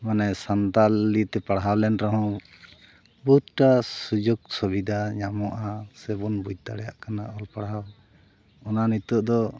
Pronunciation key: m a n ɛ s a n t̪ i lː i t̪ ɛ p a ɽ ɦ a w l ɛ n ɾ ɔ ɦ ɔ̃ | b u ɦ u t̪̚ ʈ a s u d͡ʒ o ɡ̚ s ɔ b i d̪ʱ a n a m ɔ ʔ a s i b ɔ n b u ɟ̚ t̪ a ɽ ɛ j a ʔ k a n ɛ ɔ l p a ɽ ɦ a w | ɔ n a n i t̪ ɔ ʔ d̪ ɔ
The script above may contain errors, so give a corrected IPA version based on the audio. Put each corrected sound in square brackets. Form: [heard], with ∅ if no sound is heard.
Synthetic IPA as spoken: m a n ɛ s a n t̪ [a] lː i t̪ ɛ p a ɽ ɦ a w l ɛ n ɾ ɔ ɦ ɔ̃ | b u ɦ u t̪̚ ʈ a s u d͡ʒ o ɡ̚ s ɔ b i d̪ʱ a [ɲ] a m ɔ ʔ a s [ɛ] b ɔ n b u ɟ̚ t̪ a ɽ ɛ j a ʔ k a n [a] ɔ l p a ɽ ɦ a w | ɔ n a n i t̪ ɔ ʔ d̪ ɔ